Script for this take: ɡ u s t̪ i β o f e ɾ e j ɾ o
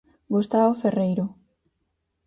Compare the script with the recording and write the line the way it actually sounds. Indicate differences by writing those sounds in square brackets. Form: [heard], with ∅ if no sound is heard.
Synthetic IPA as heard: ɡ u s t̪ [a] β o f e [r] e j ɾ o

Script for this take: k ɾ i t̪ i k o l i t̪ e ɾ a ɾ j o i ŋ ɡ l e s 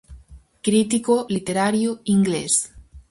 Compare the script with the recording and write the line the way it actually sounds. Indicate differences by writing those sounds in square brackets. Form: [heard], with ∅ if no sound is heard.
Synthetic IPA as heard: k ɾ i t̪ i k o l i t̪ e ɾ a ɾ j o i ŋ ɡ l e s

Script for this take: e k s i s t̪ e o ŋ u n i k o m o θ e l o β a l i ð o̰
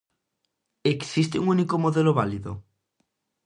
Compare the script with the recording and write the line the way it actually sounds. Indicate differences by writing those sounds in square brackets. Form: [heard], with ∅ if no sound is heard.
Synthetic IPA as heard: e k s i s t̪ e [u] ŋ u n i k o m o [ð] e l o β a l i ð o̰

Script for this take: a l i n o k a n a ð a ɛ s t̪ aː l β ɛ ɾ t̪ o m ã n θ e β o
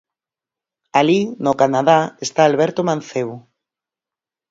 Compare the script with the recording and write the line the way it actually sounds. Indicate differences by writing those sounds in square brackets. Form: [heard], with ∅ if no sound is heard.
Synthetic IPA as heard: a l i n o k a n a ð a [e] s t̪ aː l β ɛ ɾ t̪ o m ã n θ e β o

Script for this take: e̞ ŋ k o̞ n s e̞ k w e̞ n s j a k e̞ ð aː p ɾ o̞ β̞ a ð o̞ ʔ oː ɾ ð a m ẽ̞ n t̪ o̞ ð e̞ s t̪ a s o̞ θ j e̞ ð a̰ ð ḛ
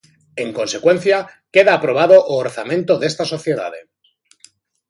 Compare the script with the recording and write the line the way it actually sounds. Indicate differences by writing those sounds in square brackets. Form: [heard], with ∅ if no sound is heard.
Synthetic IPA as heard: e̞ ŋ k o̞ n s e̞ k w e̞ n [θ] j a k e̞ ð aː p ɾ o̞ β̞ a ð o̞ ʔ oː ɾ [θ] a m ẽ̞ n t̪ o̞ ð e̞ s t̪ a s o̞ θ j e̞ ð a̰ ð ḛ

